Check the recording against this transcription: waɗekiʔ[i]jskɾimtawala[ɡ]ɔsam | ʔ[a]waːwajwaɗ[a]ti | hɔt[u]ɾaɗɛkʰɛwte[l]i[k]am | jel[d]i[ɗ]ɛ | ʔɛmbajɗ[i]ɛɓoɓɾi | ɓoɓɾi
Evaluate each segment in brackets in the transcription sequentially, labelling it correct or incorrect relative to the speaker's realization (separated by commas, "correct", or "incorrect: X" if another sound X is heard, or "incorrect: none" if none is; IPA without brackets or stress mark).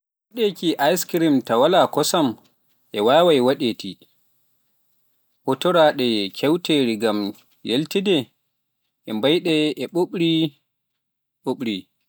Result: incorrect: a, incorrect: k, incorrect: ɛ, incorrect: e, incorrect: ɔ, incorrect: ɾ, incorrect: ɡ, incorrect: t, incorrect: d, incorrect: ɛ